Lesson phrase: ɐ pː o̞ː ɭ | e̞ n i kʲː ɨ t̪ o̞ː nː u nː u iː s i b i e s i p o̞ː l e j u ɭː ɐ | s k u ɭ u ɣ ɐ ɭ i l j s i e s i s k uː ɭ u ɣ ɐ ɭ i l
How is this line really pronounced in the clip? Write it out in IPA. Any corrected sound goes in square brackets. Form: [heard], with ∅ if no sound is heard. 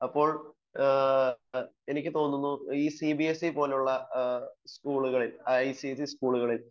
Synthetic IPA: ɐ pː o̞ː ɭ | e̞ n i kʲː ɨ t̪ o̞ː nː u nː u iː s i b i e s i p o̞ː l e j u ɭː ɐ | s k [uː] ɭ u ɣ ɐ ɭ i l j s i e s i s k uː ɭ u ɣ ɐ ɭ i l